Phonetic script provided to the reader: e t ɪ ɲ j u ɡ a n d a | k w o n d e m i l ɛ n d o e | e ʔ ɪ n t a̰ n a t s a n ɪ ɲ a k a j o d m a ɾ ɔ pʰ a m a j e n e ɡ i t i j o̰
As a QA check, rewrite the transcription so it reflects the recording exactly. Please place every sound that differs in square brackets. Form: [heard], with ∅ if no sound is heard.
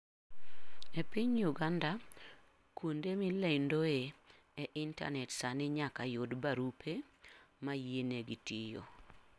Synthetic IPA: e [p] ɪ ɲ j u ɡ a n d a | k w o n d e m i l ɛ n d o e | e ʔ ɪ n t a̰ n [ɛ] t s a n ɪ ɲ a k a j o d [b] a ɾ [u] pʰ [e] m a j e n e ɡ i t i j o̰